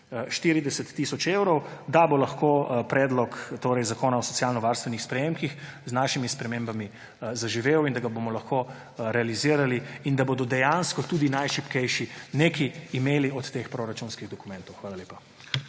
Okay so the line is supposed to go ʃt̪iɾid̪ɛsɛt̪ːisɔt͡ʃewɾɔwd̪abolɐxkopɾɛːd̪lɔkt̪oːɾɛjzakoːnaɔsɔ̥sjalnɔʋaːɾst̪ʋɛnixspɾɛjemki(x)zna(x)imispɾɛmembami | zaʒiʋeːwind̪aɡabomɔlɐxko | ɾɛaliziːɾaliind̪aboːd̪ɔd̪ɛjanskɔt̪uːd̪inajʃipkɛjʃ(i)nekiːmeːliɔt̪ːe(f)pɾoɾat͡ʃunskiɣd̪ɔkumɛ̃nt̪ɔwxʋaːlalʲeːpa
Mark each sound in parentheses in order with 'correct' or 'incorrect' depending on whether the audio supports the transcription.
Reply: correct, incorrect, correct, incorrect

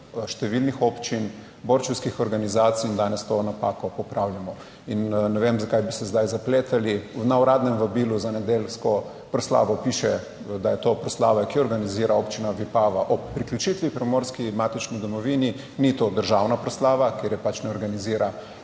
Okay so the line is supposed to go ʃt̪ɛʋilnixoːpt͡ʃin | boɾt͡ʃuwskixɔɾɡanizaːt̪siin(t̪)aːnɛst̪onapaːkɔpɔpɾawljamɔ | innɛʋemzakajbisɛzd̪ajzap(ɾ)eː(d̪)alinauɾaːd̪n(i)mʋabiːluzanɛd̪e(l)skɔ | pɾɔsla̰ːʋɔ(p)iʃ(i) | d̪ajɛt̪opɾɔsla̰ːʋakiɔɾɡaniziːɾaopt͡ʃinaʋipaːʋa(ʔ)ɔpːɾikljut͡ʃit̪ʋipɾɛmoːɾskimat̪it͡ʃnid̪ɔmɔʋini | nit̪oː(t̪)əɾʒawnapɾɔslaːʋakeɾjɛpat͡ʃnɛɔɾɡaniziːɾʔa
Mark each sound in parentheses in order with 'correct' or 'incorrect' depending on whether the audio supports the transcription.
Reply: incorrect, incorrect, incorrect, incorrect, correct, correct, incorrect, correct, incorrect

